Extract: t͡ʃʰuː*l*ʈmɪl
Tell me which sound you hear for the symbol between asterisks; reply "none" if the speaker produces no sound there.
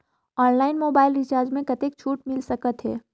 none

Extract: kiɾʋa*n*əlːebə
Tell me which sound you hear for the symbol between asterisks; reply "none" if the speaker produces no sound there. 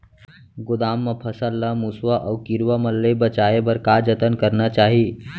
m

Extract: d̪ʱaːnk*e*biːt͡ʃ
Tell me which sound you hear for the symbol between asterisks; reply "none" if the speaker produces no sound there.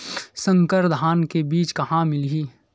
e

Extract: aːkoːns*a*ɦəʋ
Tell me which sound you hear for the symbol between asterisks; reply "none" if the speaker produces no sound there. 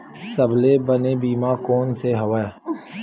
e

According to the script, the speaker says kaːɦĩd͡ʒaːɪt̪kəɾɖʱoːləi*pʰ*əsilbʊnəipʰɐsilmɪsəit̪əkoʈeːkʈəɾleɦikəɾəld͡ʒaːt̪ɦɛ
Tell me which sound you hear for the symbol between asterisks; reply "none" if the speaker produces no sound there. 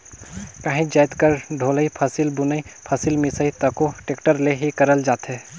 pʰ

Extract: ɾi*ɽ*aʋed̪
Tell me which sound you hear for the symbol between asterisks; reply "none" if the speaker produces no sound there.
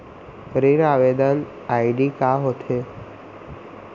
ɾ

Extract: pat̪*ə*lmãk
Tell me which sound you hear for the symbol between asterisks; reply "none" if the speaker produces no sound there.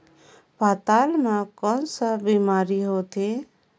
a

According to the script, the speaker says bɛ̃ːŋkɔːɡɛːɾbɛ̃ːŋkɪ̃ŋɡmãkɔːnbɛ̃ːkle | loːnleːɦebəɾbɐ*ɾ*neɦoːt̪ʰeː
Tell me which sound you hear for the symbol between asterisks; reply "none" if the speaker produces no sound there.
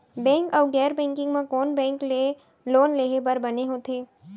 none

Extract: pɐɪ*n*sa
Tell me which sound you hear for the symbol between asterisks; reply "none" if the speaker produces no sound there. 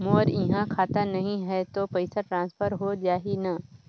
none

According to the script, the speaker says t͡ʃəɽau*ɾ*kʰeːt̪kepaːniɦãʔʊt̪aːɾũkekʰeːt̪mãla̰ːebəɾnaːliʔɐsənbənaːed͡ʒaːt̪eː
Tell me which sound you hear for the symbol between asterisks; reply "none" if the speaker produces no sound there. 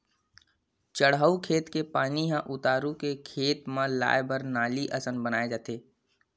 none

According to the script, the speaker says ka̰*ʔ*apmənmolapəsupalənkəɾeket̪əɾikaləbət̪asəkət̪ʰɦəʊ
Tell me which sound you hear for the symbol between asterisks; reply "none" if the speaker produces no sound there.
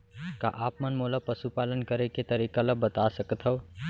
ʔ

